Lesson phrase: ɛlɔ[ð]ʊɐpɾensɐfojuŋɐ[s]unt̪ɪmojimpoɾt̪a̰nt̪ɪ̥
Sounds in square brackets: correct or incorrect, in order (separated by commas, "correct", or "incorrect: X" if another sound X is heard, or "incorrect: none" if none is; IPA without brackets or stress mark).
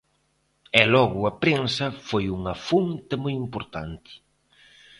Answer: incorrect: ɣ, incorrect: f